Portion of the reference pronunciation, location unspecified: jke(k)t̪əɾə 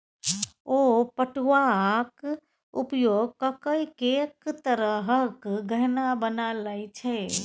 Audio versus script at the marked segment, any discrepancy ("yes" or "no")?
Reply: no